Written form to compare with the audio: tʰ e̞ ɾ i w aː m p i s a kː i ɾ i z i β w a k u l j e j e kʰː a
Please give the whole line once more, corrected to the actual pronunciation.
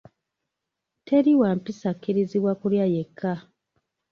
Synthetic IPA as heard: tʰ e̞ ɾ i w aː m p i s a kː i ɾ i z i β w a k u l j a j e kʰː a